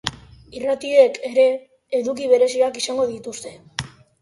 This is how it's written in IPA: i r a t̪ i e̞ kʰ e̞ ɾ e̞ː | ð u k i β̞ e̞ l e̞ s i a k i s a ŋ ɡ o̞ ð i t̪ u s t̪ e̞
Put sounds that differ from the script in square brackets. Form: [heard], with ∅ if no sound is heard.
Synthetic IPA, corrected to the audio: i r a t̪ i e̞ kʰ e̞ ɾ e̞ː | ð u k i β̞ e̞ [ɾ] e̞ s i a k i s a ŋ ɡ o̞ ð i t̪ u s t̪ e̞